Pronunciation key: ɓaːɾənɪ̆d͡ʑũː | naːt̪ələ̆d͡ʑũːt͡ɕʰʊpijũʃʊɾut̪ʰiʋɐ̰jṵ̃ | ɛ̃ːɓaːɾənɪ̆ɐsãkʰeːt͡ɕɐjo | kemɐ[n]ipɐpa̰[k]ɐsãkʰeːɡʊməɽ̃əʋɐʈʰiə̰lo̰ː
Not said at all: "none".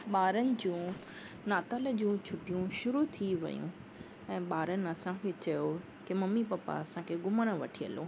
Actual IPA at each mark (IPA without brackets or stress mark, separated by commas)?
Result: m, none